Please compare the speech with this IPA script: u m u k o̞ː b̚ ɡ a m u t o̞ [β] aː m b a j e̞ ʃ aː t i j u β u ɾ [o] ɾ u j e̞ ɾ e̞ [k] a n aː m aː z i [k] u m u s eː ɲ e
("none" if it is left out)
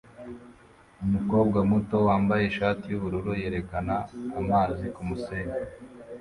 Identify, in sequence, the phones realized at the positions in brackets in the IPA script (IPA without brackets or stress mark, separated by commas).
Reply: w, u, k, k